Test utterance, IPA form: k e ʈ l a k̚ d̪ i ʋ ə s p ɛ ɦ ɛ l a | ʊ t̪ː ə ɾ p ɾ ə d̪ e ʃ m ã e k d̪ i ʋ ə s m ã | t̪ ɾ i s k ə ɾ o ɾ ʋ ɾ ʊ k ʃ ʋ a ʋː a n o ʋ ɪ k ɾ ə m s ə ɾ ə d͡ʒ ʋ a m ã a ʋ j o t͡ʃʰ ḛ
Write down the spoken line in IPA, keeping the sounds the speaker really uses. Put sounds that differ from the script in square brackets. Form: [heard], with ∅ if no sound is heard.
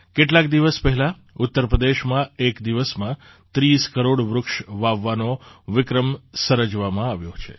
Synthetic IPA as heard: k e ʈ l a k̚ d̪ i ʋ ə s p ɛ ɦ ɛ l a | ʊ t̪ː ə ɾ p ɾ ə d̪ e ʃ m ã e k d̪ i ʋ ə s m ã | t̪ ɾ i s k ə ɾ o [ɽ] ʋ ɾ ʊ k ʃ ʋ a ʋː a n o ʋ ɪ k ɾ ə m s ə ɾ ə d͡ʒ ʋ a m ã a ʋ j o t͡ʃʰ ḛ